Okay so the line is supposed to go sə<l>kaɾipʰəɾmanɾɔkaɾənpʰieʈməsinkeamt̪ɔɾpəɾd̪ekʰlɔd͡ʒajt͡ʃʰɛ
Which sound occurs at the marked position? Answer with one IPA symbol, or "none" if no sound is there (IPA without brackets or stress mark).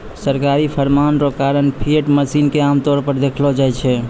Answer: ɾ